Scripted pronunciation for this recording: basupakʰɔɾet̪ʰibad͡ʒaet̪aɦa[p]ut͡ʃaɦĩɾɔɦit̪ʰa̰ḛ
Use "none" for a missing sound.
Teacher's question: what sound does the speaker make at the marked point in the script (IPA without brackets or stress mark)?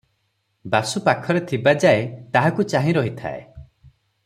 k